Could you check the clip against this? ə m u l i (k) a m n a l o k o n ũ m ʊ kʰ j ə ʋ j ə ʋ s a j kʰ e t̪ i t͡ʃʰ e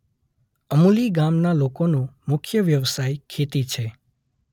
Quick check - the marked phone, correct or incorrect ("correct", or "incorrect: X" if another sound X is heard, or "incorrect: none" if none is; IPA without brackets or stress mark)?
incorrect: ɡ